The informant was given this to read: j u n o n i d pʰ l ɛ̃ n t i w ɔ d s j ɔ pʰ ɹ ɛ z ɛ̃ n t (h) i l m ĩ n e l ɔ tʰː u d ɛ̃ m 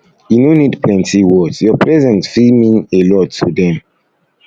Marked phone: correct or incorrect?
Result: incorrect: f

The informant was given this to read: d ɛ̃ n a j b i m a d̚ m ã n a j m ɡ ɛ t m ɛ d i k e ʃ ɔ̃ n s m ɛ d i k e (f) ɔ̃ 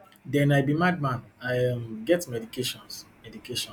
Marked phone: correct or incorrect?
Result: incorrect: ʃ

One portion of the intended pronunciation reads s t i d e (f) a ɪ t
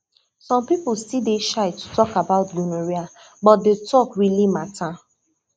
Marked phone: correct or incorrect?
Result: incorrect: ʃ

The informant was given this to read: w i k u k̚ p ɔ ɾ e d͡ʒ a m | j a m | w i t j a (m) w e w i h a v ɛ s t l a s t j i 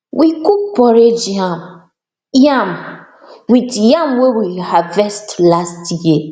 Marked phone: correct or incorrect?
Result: correct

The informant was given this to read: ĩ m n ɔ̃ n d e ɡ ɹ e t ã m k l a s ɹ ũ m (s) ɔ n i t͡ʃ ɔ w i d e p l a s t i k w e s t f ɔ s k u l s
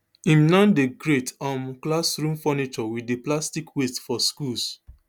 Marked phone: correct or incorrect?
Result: incorrect: f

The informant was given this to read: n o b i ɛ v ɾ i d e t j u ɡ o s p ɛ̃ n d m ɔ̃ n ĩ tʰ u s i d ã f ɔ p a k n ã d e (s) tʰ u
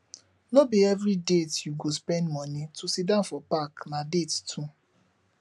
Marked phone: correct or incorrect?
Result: incorrect: t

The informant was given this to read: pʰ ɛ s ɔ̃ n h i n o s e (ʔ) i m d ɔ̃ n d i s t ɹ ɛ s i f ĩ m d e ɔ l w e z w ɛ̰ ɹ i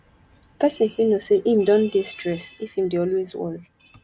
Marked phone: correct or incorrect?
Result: correct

